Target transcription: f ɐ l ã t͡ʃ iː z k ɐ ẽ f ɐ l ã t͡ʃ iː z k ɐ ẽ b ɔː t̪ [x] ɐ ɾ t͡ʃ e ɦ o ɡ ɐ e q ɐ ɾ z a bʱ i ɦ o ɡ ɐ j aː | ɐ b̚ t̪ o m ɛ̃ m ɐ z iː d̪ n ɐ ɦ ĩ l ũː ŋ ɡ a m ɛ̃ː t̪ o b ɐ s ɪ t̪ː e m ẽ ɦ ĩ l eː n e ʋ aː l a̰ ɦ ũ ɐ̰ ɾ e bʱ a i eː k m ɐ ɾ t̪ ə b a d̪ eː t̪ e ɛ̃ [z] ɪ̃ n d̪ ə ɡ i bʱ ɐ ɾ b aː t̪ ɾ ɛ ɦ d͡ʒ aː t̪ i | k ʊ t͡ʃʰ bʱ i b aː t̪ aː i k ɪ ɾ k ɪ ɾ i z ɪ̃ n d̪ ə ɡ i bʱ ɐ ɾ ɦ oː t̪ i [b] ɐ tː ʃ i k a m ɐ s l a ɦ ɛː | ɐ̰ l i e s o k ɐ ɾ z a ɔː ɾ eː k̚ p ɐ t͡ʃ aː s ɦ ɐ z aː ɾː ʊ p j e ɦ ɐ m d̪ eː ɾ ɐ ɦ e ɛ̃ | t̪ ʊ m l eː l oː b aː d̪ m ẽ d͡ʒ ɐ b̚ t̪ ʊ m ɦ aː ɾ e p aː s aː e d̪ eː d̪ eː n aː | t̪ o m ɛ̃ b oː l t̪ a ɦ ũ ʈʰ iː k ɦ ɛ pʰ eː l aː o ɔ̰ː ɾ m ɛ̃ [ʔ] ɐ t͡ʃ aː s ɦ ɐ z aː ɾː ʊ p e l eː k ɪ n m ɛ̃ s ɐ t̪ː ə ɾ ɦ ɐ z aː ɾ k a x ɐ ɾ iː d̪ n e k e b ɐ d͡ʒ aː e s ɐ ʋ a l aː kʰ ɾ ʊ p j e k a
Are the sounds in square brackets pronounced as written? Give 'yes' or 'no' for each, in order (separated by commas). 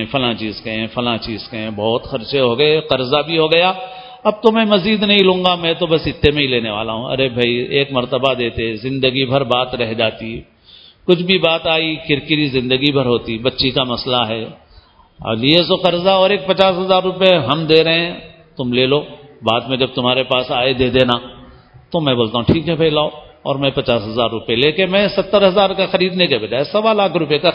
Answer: yes, yes, yes, no